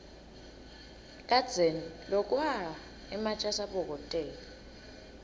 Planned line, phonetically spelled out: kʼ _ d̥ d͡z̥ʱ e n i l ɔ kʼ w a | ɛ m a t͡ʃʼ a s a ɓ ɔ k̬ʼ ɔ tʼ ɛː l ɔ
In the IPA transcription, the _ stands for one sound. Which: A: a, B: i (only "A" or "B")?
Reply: A